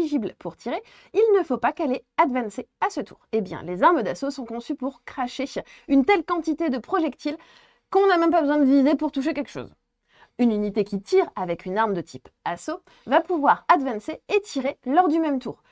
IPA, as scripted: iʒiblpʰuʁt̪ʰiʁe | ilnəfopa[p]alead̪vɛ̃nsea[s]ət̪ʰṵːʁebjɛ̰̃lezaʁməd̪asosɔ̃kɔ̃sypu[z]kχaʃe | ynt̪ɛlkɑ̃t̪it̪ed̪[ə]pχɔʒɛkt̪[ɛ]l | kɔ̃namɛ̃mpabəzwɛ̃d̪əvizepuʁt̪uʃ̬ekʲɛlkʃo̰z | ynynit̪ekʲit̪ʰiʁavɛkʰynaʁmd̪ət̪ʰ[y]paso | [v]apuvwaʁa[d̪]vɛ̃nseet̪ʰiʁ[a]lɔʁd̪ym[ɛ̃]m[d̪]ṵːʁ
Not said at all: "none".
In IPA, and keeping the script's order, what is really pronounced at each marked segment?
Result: k, s, ʁ, ə, i, i, v, d̪, e, ɛ, t̪

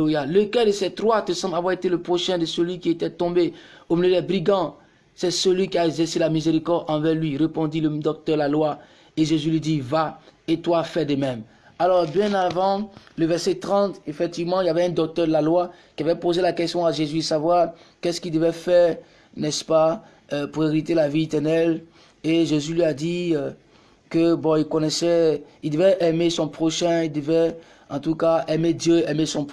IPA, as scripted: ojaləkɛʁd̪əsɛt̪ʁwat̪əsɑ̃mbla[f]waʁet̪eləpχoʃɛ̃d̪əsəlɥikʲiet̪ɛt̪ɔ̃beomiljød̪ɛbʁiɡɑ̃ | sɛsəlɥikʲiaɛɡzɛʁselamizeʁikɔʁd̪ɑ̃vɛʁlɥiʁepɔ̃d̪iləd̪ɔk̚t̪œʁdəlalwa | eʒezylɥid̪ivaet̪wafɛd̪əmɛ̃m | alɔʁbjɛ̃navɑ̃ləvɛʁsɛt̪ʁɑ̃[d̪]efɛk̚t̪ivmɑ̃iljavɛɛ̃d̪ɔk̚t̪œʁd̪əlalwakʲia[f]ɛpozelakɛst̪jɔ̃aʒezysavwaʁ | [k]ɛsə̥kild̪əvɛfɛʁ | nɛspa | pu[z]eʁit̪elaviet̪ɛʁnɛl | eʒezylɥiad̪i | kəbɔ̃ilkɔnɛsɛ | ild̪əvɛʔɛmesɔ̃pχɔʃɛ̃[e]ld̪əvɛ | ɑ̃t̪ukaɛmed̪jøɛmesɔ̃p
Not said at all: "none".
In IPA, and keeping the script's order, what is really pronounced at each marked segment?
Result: v, t̪, v, k, ʁ, i

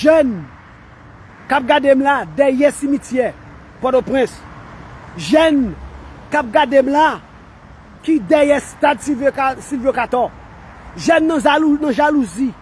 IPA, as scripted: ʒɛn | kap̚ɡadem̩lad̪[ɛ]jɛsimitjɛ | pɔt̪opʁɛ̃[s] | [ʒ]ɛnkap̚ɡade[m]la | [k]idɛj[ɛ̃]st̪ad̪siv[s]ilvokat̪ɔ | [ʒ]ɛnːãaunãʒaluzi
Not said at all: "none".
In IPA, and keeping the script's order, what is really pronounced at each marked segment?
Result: ɛ, s, ʒ, m, k, ɛ, s, ʒ

